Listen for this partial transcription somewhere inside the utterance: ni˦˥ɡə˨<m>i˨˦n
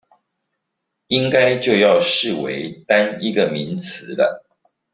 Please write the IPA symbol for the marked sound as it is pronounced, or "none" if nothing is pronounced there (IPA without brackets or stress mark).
m